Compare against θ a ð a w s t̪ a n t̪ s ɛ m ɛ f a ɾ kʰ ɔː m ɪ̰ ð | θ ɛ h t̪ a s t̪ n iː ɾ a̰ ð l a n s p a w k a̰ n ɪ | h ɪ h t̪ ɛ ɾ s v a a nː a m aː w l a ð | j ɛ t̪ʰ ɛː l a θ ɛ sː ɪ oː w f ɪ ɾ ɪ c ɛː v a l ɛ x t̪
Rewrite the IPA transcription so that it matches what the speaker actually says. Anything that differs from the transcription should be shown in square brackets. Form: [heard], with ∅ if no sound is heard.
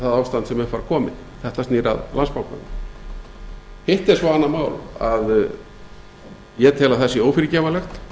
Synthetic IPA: θ a ð a w s t̪ a n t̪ s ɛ m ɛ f a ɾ kʰ ɔː m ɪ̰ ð | θ ɛ h t̪ a s t̪ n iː ɾ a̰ ð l a n s p a w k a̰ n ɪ | h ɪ h t̪ ɛ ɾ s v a a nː a m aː w l a ð | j ɛ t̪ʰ ɛː l a θ ɛ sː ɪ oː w f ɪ ɾ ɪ c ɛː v a l ɛ x t̪